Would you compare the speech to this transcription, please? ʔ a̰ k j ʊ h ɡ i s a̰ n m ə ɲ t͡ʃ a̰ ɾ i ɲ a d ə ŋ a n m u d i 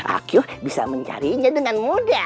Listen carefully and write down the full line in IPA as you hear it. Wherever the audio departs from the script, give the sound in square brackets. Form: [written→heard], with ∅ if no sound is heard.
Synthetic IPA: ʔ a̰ k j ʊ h [ɡ→b] i s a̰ [n→∅] m ə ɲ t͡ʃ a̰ ɾ i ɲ a d ə ŋ a n m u d [i→a]